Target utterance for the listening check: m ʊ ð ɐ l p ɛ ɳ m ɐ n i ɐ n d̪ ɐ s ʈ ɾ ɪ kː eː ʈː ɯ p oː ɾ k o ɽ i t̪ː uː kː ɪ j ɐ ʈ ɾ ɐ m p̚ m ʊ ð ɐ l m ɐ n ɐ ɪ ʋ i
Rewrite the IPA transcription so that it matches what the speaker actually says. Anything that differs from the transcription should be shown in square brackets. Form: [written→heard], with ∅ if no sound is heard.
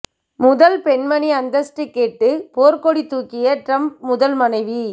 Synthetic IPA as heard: m ʊ ð ɐ l p ɛ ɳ m ɐ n i ɐ n d̪ ɐ s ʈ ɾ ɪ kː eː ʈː ɯ p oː ɾ k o ɽ i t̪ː uː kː ɪ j ɐ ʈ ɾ ɐ m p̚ m ʊ ð ɐ l m ɐ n ɐ ɪ ʋ i